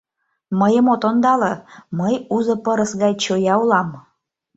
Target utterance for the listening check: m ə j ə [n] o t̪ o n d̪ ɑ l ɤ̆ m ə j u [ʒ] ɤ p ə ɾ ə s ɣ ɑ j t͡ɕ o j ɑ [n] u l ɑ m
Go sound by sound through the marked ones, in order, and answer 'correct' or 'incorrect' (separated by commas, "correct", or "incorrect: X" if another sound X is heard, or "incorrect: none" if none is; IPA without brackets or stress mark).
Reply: incorrect: m, incorrect: z, incorrect: none